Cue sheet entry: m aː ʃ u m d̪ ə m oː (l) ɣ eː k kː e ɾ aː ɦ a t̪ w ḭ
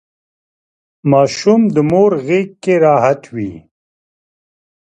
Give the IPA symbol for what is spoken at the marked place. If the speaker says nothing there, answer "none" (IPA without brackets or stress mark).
ɾ